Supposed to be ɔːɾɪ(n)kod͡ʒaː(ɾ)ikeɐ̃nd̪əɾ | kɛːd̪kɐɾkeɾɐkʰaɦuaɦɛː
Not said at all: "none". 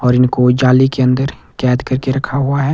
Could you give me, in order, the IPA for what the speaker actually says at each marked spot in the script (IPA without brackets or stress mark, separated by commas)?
n, l